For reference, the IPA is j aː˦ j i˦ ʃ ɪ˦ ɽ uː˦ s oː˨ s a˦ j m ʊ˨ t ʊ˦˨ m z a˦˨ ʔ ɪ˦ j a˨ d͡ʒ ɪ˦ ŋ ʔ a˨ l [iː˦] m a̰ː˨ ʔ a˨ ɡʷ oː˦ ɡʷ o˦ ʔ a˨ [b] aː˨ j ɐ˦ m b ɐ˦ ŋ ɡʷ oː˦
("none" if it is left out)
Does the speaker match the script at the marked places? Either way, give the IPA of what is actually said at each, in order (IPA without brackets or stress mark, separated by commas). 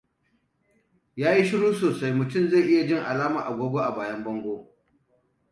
aː˦, b